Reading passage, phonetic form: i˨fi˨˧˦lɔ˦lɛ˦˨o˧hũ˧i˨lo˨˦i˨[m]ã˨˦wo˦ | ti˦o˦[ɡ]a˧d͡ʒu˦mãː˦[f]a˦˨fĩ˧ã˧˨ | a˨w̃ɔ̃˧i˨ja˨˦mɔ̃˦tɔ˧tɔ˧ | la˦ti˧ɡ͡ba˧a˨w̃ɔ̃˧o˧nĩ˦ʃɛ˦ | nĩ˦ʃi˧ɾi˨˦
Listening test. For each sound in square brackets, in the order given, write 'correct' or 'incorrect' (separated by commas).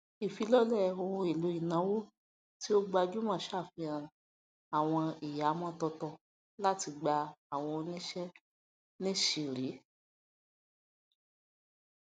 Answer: incorrect, incorrect, incorrect